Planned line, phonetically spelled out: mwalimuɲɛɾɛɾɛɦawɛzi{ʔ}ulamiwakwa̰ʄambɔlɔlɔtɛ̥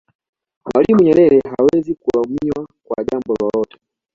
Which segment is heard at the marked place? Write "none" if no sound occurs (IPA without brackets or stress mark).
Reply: k